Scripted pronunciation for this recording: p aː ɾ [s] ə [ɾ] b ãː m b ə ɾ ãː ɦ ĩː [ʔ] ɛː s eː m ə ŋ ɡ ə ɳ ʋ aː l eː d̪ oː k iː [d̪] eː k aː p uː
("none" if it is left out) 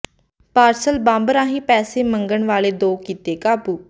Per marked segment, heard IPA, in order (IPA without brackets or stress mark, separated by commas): s, l, p, t̪